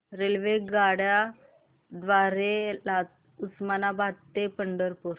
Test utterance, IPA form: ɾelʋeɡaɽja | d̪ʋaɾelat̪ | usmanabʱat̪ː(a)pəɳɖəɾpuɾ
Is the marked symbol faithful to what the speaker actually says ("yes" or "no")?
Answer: no